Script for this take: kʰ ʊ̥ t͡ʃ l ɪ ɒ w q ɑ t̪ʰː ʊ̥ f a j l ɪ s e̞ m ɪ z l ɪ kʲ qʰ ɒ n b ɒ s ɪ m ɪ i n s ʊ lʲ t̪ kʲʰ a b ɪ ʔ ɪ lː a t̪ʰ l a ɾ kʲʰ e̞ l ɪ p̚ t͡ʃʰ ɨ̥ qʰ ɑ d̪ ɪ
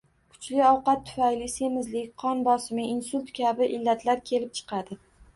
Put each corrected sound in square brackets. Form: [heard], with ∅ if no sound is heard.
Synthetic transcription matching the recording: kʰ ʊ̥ t͡ʃ l ɪ ɒ w q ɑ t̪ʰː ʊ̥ f a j l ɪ s e̞ m ɪ z l ɪ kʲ qʰ ɒ n b ɒ s ɪ m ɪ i n s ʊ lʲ t̪ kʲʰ a b ɪ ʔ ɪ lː a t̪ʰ l a ɾ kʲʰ e̞ l ɪ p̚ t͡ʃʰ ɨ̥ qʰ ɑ d̪ ɪ